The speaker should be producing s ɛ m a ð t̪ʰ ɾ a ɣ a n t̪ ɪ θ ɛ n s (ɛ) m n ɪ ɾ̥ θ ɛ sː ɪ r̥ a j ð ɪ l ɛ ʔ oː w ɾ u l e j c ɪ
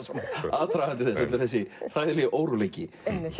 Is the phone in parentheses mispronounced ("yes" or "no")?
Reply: no